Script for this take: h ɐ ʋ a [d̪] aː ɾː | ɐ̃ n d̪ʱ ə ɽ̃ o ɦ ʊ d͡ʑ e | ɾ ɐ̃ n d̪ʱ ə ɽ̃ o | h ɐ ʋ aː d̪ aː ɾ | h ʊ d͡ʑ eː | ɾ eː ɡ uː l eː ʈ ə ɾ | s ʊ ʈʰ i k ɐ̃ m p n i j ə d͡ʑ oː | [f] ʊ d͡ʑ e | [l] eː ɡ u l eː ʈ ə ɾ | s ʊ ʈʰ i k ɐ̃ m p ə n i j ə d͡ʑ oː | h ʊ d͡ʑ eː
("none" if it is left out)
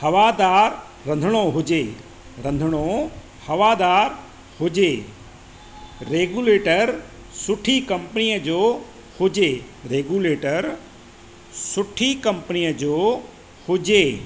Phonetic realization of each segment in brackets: d̪, h, ɾ

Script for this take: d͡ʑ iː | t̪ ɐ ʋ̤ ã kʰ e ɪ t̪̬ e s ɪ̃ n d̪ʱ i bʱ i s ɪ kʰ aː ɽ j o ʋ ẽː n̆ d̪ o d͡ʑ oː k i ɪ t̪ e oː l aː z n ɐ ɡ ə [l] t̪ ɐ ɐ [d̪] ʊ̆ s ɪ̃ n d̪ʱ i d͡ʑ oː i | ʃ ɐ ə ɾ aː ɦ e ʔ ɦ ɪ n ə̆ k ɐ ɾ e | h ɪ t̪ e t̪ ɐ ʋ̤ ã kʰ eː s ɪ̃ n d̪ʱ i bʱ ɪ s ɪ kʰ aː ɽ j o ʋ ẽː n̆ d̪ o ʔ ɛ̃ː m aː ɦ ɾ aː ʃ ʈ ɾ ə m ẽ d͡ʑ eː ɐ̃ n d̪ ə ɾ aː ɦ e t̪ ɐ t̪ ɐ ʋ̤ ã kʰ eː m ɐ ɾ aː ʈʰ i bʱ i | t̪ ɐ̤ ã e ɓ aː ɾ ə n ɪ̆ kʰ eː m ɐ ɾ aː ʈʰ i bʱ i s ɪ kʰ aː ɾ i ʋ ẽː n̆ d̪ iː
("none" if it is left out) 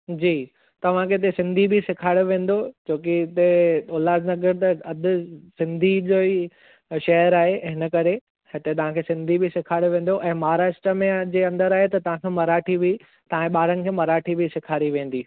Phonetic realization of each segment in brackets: ɾ, d̪

